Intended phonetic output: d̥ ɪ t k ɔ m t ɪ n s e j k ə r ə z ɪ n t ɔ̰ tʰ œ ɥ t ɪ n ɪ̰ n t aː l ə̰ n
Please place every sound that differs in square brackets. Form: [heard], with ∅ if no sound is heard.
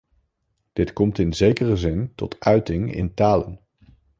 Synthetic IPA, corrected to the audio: d̥ ɪ t k ɔ m t ɪ n [z] e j k ə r ə z ɪ n t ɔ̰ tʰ œ ɥ t ɪ [ŋ] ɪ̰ n t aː l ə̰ n